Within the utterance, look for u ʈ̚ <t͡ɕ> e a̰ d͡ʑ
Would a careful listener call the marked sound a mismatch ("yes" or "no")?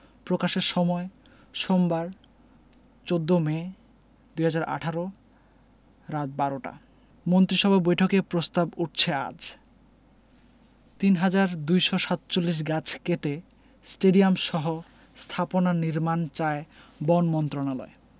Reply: yes